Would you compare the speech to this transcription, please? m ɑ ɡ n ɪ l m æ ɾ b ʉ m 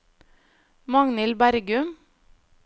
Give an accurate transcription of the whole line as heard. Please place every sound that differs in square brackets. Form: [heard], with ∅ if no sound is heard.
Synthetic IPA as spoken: m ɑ [ŋ] n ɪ l [b] æ ɾ [ɡ] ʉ m